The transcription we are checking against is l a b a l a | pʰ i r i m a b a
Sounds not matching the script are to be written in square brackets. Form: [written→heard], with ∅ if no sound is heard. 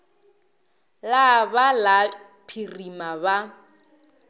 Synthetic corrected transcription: l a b a l a | pʰ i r i m a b a